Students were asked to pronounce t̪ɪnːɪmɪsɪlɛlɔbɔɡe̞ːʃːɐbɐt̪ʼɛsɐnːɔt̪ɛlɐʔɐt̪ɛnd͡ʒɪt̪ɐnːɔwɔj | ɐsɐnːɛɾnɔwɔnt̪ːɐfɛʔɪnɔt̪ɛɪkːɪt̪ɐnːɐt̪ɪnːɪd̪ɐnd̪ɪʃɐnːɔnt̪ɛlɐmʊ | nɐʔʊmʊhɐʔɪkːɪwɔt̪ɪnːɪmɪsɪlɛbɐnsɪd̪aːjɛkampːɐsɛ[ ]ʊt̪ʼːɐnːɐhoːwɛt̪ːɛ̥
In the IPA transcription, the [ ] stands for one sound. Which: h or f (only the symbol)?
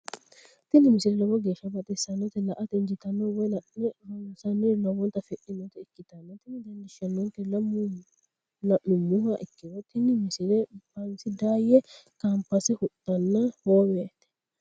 h